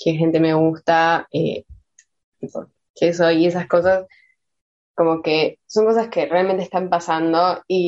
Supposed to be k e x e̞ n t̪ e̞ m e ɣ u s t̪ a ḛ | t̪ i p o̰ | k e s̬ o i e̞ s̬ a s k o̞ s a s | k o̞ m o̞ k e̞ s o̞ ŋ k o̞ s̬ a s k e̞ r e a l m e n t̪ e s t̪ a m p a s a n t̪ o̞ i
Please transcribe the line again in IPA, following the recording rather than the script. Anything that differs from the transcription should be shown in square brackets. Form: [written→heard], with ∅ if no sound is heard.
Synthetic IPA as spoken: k e x e̞ n t̪ e̞ m e ɣ u s t̪ a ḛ | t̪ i p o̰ | k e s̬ o i e̞ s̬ a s k o̞ s a s | k o̞ m o̞ k e̞ s o̞ ŋ k o̞ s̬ a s k e̞ r e a l m e n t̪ e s t̪ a m p a s a n [t̪→d̪] o̞ i